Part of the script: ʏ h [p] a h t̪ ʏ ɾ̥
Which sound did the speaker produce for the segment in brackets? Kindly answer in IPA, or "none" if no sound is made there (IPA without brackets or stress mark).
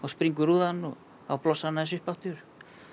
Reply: p